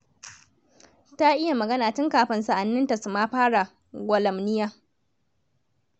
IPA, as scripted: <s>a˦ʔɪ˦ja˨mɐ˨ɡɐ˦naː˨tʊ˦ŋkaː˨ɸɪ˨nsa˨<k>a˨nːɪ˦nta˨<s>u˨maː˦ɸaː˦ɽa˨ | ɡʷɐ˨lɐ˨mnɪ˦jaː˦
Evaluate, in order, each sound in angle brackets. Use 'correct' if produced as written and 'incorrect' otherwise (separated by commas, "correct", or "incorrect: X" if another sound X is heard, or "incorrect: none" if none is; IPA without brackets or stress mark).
incorrect: t, incorrect: ʔ, correct